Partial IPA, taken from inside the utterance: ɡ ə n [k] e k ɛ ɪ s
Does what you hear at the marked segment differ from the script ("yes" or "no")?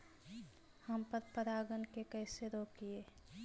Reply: no